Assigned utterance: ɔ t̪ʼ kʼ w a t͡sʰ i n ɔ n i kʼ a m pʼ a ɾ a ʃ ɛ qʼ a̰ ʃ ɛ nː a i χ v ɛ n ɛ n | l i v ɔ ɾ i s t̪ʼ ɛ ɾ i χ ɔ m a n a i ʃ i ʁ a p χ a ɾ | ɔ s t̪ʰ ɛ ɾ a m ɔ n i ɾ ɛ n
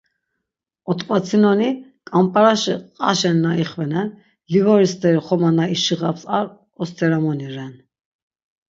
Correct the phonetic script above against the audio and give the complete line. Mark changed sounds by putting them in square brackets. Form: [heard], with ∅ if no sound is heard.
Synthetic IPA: ɔ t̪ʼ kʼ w a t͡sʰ i n ɔ n i kʼ a m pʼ a ɾ a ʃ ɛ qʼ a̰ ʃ ɛ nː a i χ v ɛ n ɛ n | l i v ɔ ɾ i s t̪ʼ ɛ ɾ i χ ɔ m a n a i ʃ i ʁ a p [s] a ɾ | ɔ s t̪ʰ ɛ ɾ a m ɔ n i ɾ ɛ n